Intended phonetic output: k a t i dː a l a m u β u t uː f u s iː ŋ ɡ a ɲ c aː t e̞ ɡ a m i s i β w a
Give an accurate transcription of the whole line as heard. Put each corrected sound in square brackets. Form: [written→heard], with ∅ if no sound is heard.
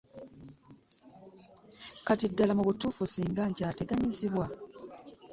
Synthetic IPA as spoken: k a t i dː a l a m u β u t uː f u s iː ŋ ɡ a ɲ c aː t e̞ ɡ a [m→ɲ] i [s→z] i β w a